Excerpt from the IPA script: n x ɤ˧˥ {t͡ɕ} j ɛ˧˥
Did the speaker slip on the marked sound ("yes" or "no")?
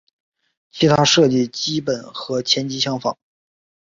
yes